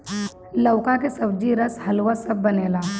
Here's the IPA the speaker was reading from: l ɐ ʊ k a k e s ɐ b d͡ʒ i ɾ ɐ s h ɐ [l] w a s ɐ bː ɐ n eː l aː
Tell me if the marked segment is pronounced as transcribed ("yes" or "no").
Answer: yes